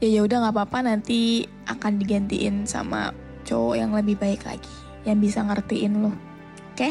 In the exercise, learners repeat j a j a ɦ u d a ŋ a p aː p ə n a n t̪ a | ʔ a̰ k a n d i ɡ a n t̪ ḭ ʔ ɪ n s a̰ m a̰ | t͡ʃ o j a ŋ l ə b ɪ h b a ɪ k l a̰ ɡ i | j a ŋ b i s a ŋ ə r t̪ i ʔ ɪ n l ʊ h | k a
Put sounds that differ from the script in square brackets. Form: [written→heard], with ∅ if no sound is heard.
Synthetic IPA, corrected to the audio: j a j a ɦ u d a ŋ a p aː p [ə→a] n a n t̪ [a→i] | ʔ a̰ k a n d i ɡ a n t̪ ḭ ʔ ɪ n s a̰ m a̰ | t͡ʃ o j a ŋ l ə b ɪ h b a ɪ k l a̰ ɡ i | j a ŋ b i s a ŋ ə r t̪ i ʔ ɪ n l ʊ h | k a